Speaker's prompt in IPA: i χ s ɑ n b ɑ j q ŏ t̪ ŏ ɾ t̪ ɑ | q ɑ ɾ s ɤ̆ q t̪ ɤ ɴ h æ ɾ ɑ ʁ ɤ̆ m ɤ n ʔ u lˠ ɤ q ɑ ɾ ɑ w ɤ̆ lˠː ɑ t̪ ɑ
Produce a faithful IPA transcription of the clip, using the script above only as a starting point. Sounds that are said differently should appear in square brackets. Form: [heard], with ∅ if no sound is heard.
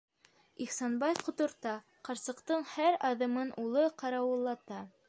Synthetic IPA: i χ s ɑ n b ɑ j q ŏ t̪ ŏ ɾ t̪ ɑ | q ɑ ɾ s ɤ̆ q t̪ ɤ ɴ h æ ɾ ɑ [ð] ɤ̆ m ɤ n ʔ u lˠ ɤ q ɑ ɾ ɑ w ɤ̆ lˠː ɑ t̪ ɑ